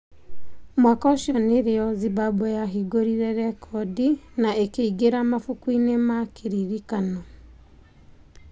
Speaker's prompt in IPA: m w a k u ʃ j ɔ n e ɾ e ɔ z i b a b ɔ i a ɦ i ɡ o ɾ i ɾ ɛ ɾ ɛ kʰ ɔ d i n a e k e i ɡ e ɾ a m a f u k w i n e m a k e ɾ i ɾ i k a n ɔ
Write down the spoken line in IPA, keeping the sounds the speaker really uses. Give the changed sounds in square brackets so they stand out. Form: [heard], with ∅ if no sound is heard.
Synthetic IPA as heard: m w a k [ɔ] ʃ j ɔ n e ɾ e ɔ z i b a b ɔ [j] a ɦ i ɡ o ɾ i ɾ ɛ ɾ ɛ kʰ ɔ d i n a e k e i ɡ e ɾ a m a f u k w i n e m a k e ɾ i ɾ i k a n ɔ